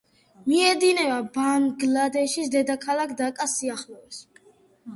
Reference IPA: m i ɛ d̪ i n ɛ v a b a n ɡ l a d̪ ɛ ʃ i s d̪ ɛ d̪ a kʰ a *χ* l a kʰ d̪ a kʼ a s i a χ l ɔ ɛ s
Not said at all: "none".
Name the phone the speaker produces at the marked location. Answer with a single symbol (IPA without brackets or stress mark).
none